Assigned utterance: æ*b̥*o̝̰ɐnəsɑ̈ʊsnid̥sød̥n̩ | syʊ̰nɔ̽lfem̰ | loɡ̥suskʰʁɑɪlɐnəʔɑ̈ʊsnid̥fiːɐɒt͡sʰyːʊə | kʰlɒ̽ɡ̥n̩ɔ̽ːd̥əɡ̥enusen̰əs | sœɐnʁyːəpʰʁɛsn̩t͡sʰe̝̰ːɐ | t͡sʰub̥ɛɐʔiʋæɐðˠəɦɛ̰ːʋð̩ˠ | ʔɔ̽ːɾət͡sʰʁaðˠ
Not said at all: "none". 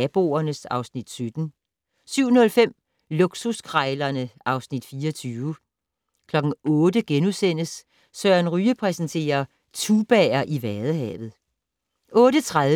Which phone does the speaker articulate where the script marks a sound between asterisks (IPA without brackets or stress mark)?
b̥